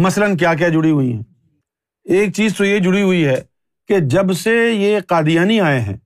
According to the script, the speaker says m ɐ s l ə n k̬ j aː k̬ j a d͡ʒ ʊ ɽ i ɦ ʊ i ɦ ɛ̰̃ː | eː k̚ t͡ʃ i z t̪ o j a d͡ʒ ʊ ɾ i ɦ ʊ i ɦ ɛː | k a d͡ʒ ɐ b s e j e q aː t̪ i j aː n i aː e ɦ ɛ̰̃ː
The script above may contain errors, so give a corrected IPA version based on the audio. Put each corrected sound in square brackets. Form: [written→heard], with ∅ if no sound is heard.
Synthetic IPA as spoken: m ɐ s l ə n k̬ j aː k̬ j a d͡ʒ ʊ ɽ i ɦ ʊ i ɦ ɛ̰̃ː | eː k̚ t͡ʃ [i→iː] z t̪ o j [a→e] d͡ʒ ʊ [ɾ→ɽ] i ɦ ʊ i ɦ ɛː | k [a→e] d͡ʒ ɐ b s e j e q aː [t̪→d̪] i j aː n i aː e ɦ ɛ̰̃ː